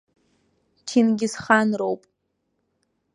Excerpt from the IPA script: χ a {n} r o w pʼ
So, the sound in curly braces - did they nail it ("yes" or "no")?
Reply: yes